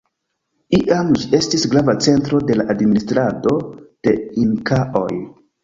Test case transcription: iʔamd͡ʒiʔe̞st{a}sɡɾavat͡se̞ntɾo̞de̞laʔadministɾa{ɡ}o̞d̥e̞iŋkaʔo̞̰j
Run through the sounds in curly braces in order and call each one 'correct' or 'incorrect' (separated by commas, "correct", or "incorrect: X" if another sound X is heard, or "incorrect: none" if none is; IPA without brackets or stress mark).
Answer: incorrect: i, incorrect: d